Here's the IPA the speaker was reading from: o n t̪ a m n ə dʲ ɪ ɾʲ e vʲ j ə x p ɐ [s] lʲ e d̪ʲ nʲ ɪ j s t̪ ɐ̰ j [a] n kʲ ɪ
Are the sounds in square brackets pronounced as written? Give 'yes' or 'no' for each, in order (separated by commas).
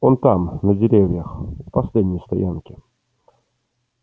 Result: yes, yes